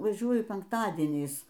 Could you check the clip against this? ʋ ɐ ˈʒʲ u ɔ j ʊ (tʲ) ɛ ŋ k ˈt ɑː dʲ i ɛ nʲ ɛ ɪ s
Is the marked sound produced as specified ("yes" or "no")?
no